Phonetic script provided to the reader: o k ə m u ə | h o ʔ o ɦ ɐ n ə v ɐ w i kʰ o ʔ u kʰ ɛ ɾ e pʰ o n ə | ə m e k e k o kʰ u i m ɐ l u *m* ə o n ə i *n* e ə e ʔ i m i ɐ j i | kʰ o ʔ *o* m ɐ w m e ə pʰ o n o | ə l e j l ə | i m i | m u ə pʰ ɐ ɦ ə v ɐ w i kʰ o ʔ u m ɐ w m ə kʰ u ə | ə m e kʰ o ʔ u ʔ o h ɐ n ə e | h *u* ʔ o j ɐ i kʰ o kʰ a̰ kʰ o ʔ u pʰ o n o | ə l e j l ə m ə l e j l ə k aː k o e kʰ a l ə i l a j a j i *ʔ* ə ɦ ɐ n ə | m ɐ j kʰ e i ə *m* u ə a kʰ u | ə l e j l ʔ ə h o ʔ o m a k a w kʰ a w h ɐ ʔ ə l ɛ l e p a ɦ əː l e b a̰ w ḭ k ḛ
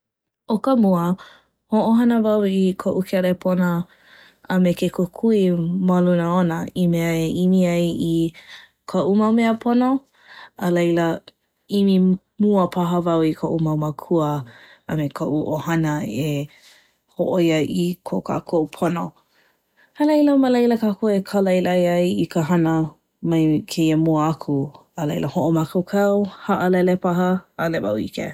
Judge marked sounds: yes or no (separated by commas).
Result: no, no, no, no, no, yes